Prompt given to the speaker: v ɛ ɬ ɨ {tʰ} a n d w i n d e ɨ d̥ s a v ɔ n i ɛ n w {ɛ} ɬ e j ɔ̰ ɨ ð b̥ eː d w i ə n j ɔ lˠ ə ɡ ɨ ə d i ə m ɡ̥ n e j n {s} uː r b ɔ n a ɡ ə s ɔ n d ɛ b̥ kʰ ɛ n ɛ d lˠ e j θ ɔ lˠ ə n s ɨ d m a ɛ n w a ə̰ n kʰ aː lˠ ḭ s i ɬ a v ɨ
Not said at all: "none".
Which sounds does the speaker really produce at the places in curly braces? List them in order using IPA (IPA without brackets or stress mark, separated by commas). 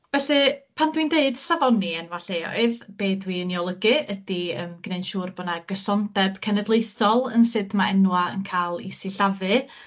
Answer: pʰ, a, ʃ